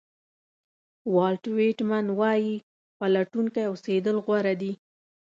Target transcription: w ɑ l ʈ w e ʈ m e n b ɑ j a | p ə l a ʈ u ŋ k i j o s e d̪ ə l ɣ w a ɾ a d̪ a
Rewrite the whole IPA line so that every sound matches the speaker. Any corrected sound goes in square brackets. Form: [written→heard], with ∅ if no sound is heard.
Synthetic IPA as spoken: w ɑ l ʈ w e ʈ m [e→a] n [b→w] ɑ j [a→i] | p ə l a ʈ u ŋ k [i→a] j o s e d̪ ə l ɣ w a ɾ a d̪ [a→i]